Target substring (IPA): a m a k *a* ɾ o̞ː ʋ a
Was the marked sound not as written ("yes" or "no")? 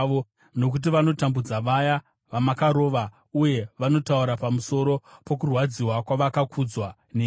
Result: no